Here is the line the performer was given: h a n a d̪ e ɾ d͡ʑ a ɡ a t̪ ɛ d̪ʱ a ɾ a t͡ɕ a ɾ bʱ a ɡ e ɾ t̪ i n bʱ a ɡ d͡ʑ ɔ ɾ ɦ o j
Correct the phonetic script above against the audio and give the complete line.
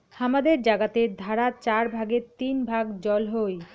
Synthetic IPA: h a m a d̪ e ɾ d͡ʑ a ɡ a t̪ e d̪ʱ a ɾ a t͡ɕ a ɾ bʱ a ɡ e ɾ t̪ i n bʱ a ɡ d͡ʑ ɔ l ɦ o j